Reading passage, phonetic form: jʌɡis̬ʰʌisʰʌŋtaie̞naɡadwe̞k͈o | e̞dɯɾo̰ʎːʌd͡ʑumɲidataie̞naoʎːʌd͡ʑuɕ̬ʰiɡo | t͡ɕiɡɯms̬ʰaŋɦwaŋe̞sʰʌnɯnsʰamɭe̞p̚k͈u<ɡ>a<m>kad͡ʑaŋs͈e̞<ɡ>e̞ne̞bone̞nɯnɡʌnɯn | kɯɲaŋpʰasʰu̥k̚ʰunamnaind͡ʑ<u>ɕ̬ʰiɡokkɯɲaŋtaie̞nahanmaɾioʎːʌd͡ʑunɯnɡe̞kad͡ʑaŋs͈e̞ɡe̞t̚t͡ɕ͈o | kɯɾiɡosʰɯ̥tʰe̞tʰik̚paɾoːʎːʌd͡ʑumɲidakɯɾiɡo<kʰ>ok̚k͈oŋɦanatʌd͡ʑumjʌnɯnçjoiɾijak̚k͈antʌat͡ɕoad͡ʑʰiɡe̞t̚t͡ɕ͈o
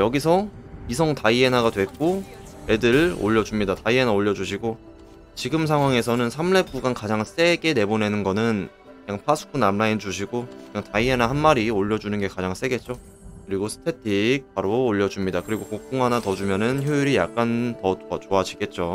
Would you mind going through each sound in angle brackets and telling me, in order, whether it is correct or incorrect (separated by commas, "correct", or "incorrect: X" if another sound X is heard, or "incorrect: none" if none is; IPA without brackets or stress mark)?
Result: correct, incorrect: n, correct, correct, incorrect: k